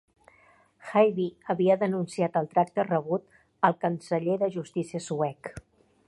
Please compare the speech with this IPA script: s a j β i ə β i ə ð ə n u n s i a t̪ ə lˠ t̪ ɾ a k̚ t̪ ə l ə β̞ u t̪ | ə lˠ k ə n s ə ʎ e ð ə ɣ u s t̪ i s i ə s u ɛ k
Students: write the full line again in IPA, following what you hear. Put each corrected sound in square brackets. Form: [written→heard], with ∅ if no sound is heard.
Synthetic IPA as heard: [s→x] a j β i ə β i ə ð ə n u n s i a t̪ ə lˠ t̪ ɾ a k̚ t̪ ə [l→r] ə β̞ u t̪ | ə lˠ k ə n s ə ʎ e ð ə [ɣ→ʒ] u s t̪ i s i ə s u ɛ k